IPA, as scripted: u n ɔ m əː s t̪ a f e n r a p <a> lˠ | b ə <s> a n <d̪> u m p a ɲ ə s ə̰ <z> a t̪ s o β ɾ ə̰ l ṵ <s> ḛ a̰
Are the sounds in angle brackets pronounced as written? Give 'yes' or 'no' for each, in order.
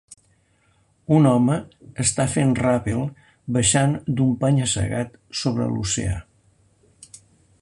no, no, yes, no, yes

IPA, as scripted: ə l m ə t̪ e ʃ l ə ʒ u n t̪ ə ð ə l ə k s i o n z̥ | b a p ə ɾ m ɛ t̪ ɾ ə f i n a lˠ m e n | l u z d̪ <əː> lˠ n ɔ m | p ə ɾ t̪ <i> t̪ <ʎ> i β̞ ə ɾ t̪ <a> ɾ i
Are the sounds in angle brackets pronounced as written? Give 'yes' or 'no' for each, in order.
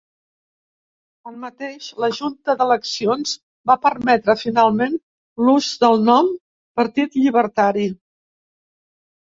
no, yes, yes, yes

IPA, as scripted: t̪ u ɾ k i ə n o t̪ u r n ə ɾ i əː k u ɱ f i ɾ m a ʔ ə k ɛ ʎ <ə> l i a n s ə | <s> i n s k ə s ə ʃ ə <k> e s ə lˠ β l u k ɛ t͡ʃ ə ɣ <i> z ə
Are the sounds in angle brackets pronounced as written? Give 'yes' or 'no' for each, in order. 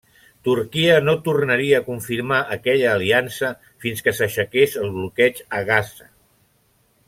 no, no, yes, no

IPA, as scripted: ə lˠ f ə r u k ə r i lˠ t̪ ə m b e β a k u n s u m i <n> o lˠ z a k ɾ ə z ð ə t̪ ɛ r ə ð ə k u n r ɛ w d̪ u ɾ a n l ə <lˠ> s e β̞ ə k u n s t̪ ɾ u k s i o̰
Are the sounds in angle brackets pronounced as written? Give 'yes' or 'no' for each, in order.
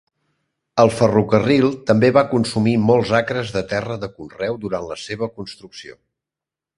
no, no

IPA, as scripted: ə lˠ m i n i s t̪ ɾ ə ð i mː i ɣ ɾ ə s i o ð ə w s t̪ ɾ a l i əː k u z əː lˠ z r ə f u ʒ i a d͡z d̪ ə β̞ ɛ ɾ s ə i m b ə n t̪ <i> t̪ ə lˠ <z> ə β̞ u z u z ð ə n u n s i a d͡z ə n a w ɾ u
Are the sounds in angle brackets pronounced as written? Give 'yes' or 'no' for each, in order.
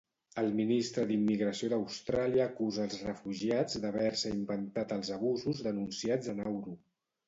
no, yes

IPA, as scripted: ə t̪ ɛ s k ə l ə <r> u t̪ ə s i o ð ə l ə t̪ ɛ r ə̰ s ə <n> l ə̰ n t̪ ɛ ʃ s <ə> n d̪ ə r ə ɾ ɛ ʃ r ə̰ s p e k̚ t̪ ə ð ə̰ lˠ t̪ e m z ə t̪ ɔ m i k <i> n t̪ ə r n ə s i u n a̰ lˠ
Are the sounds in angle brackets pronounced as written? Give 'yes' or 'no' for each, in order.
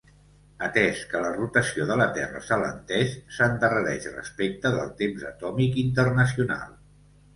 yes, no, yes, yes

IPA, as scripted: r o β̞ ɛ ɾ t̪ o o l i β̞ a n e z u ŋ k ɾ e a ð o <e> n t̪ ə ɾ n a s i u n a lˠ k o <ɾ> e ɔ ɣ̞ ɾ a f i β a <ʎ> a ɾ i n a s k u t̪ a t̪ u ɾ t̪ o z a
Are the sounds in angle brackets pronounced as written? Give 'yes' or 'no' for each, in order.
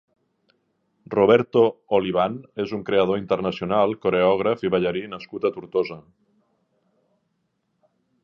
no, yes, yes

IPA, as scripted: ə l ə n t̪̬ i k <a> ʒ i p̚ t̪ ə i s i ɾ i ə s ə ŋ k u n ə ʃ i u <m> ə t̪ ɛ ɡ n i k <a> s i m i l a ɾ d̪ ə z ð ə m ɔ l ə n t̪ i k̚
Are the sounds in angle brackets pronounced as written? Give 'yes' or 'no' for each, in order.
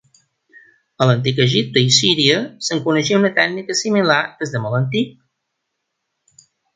no, no, no

